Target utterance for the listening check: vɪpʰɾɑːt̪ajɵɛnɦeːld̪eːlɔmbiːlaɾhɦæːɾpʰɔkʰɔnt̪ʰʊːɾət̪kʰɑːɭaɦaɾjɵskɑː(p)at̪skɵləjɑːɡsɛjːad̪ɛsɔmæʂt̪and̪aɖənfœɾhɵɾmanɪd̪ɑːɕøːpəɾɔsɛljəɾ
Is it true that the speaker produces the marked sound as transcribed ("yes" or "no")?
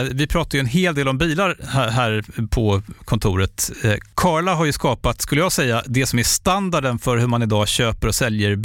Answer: yes